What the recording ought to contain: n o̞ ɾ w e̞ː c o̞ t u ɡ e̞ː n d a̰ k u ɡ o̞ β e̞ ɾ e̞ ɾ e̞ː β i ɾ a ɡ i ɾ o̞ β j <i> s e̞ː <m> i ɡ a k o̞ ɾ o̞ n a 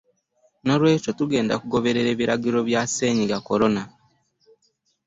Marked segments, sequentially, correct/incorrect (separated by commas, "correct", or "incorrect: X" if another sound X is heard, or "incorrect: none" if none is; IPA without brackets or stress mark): incorrect: a, incorrect: ɲ